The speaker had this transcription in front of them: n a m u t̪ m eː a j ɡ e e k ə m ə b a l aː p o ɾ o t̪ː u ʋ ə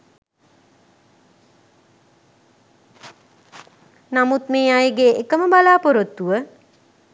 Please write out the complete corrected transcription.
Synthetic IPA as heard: n a m u t̪ m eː a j ɡ e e k ə m ə b a l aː p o ɾ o t̪ː u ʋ ə